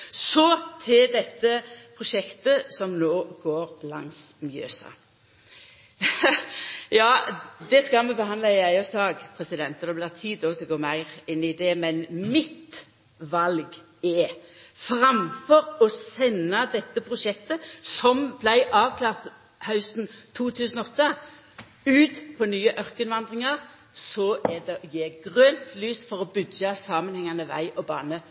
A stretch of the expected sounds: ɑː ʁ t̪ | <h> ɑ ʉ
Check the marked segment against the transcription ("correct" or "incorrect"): correct